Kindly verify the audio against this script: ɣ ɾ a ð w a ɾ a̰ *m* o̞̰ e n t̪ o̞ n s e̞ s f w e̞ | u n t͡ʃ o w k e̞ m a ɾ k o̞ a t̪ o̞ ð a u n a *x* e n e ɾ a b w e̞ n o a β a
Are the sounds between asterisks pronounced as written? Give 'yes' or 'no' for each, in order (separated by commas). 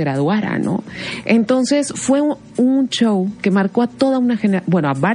no, yes